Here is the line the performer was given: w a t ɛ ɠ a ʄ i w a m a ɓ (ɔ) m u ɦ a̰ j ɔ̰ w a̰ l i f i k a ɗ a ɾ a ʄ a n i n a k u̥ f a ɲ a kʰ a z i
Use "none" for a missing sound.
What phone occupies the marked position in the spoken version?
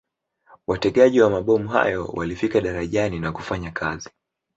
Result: ɔ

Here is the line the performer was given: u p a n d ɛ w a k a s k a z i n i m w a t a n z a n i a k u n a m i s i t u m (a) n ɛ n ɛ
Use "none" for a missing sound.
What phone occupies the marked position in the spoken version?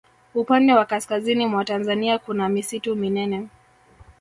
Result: i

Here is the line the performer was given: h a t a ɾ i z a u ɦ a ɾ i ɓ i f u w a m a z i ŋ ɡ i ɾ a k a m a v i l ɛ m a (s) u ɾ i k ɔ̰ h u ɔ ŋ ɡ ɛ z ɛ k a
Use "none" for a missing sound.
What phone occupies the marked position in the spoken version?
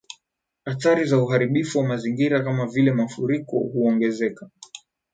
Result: f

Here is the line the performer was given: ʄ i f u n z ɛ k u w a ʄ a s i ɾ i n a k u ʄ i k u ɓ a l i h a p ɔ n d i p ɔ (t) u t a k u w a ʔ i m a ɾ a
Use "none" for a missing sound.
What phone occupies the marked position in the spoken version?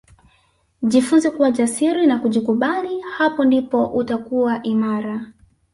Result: ʔ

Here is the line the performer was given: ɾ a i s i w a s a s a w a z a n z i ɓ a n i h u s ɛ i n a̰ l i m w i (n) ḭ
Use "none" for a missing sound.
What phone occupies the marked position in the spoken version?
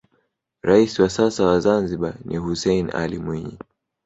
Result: ɲ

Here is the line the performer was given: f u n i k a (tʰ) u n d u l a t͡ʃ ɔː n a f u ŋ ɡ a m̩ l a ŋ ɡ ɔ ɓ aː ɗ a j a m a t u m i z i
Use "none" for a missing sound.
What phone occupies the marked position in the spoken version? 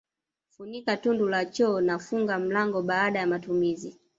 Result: t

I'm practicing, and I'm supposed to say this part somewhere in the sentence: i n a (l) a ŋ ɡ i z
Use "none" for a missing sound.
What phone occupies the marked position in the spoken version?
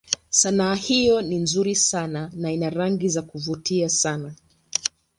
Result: ɾ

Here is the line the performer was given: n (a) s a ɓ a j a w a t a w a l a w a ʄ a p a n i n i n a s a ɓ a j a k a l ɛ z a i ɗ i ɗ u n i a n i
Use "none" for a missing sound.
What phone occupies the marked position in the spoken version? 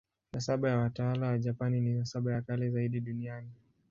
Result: a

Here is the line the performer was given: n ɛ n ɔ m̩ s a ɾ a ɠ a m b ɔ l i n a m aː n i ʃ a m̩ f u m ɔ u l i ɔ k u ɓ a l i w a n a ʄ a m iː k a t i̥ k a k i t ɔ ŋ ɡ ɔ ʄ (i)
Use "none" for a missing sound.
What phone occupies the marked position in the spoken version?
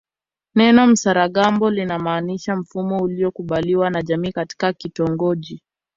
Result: i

